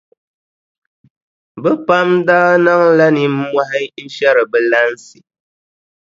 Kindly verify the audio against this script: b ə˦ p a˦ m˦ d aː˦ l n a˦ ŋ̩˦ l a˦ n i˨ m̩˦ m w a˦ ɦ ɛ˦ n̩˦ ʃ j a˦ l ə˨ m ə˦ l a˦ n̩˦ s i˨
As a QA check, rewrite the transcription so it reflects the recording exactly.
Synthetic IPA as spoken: b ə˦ p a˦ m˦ d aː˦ n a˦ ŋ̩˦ l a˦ n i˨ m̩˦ m w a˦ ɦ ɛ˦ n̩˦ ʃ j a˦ ɾ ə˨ b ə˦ l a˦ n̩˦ s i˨